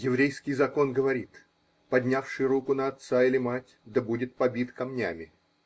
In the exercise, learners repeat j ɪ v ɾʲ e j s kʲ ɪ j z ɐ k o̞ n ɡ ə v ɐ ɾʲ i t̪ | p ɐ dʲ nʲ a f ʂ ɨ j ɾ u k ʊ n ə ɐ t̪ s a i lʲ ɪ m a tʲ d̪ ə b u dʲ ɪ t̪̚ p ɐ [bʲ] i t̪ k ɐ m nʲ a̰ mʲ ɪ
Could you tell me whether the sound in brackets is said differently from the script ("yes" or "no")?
no